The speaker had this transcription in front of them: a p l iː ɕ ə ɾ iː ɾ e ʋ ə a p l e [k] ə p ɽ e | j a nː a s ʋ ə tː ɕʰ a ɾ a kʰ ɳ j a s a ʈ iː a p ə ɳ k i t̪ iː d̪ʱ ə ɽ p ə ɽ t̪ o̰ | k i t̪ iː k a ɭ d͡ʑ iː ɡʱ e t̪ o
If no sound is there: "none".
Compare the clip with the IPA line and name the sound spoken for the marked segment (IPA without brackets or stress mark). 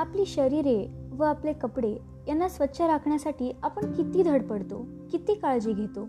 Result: k